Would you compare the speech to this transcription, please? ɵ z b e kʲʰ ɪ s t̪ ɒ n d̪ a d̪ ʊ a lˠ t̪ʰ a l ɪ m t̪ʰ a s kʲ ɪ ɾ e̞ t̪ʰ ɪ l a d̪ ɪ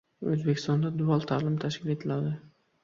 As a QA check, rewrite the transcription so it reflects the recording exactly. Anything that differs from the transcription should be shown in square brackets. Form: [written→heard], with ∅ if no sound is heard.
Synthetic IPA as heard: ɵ z b e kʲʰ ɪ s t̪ ɒ n d̪ a d̪ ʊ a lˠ t̪ʰ a l ɪ m t̪ʰ a [s→ʃ] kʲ ɪ [ɾ→l] e̞ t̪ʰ ɪ l a d̪ ɪ